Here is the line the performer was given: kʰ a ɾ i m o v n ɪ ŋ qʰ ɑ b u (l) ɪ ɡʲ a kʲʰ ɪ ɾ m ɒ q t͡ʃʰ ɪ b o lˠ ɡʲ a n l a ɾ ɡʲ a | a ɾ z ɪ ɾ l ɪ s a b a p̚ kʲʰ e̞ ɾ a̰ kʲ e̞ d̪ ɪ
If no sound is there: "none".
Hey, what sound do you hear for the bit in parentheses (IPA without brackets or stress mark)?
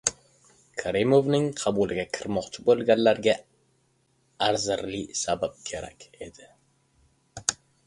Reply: l